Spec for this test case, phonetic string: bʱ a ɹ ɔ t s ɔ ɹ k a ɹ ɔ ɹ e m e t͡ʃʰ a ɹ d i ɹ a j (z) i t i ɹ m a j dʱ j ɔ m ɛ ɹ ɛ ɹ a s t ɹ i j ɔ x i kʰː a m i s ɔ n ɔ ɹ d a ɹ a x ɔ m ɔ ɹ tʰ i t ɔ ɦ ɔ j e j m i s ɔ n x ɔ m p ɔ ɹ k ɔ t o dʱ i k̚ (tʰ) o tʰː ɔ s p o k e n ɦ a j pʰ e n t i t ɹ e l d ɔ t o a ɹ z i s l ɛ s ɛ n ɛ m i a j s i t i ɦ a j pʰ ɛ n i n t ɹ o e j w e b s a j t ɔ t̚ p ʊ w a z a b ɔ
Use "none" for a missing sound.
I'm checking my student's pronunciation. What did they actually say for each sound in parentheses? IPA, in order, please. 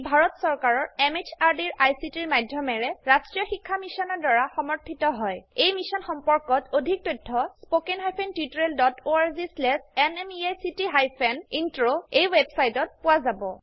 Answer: s, t

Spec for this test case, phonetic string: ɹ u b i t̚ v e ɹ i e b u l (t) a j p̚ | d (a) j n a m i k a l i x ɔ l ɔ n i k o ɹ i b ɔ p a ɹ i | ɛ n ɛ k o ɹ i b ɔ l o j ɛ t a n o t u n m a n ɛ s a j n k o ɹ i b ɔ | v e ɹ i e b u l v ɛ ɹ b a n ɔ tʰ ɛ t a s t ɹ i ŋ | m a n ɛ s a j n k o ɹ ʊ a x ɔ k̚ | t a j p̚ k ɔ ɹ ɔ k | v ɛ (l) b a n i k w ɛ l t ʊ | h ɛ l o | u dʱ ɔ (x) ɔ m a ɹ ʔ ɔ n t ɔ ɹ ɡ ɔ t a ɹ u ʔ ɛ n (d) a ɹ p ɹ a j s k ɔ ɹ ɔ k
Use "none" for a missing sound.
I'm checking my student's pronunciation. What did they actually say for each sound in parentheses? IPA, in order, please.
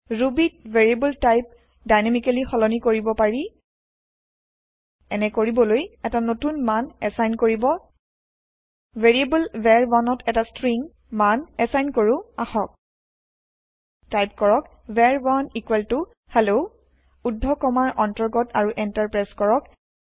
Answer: t, a, ɹ, k, t

